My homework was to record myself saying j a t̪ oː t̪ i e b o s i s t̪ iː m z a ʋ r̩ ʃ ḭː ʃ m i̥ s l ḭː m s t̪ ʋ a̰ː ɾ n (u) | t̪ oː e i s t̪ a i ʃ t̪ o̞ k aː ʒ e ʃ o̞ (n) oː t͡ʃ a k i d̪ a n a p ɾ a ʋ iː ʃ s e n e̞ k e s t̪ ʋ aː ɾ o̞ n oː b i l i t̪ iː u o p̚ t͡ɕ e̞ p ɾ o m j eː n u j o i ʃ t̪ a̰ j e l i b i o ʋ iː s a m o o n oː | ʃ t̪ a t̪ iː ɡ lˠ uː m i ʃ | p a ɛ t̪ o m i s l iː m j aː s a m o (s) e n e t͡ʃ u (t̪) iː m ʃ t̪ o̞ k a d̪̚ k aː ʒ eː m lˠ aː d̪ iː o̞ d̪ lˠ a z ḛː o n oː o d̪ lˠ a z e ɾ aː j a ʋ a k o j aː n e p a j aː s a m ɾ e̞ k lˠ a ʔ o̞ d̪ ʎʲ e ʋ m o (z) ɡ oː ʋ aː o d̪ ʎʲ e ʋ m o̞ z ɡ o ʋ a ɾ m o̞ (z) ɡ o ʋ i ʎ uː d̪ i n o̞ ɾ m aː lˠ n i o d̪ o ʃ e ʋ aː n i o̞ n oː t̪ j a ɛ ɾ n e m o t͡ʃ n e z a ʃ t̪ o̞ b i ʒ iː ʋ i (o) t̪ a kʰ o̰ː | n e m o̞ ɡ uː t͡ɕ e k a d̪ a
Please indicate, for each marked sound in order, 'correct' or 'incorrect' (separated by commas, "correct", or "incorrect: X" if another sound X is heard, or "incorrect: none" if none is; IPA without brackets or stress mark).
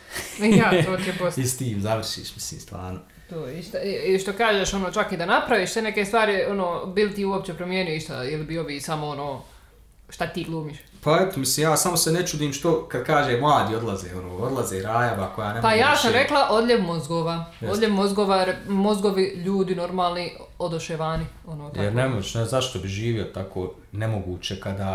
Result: incorrect: o, correct, correct, incorrect: d̪, correct, correct, correct